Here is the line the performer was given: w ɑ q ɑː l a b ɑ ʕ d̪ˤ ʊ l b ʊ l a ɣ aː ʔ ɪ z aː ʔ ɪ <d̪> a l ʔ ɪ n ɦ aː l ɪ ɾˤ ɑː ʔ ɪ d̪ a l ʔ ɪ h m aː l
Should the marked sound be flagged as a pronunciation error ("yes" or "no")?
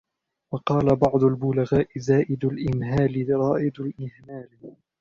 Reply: no